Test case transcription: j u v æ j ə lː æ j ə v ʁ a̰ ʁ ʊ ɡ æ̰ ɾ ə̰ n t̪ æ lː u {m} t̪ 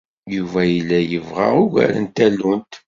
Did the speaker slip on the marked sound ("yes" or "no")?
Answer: yes